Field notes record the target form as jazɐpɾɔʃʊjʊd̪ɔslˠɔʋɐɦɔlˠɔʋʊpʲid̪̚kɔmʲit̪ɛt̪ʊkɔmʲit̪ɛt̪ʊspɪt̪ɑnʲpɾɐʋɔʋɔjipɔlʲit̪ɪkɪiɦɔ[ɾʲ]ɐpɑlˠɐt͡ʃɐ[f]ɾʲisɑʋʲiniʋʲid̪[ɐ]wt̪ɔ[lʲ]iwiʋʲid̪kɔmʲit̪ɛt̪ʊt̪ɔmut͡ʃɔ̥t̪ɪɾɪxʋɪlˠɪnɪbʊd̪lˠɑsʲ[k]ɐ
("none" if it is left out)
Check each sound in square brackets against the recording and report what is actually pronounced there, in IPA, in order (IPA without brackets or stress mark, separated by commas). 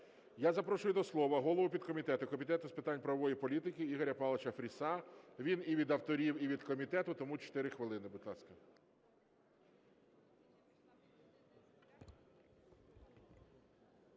ɾʲ, f, ɐ, ɾʲ, k